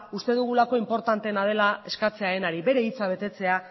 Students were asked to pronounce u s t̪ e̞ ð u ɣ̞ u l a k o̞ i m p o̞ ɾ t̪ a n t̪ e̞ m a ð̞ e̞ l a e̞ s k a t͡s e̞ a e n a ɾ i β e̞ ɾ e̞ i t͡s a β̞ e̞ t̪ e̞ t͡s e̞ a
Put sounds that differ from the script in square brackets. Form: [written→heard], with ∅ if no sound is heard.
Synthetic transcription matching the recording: u s t̪ e̞ ð u ɣ̞ u l a k o̞ i m p o̞ ɾ t̪ a n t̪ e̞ [m→n] a ð̞ e̞ l a e̞ s k a t͡s e̞ a e n a ɾ i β e̞ ɾ e̞ i t͡s a β̞ e̞ t̪ e̞ t͡s e̞ a